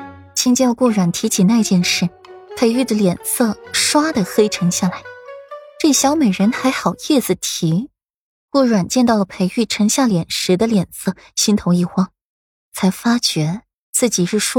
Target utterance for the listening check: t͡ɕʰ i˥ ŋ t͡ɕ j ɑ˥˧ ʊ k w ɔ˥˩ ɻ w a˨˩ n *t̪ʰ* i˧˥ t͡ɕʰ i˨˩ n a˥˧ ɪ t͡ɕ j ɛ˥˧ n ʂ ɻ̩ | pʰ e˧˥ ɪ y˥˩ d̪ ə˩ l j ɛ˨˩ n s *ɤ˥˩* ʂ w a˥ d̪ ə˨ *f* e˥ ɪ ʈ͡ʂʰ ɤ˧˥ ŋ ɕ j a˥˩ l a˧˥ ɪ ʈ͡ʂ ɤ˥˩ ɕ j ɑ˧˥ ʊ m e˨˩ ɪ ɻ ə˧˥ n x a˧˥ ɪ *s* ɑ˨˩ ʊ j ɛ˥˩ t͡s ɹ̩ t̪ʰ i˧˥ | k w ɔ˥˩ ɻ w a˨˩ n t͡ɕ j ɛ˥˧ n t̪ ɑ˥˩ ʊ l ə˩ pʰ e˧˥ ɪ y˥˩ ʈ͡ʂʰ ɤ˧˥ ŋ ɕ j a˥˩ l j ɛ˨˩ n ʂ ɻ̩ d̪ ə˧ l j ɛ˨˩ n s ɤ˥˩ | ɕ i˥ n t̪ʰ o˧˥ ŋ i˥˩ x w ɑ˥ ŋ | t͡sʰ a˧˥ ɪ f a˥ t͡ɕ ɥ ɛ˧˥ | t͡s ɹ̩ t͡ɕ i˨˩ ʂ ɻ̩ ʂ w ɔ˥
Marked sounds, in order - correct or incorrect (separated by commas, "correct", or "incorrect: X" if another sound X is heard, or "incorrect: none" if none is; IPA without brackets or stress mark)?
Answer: correct, correct, incorrect: x, incorrect: x